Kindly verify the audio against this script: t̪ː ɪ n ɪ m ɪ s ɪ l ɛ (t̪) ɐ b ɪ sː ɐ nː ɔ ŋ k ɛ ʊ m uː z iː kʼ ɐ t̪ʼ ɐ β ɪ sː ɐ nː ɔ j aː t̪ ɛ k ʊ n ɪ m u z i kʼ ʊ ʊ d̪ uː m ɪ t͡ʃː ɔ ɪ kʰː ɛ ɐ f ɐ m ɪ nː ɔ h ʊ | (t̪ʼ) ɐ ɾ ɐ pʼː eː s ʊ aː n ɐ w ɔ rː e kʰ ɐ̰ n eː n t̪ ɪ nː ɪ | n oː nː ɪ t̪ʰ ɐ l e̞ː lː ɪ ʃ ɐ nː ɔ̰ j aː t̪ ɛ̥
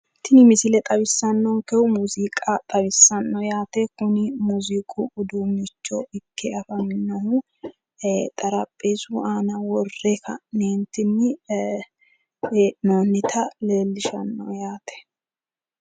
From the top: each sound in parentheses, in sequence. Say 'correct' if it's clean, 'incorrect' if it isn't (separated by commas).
incorrect, correct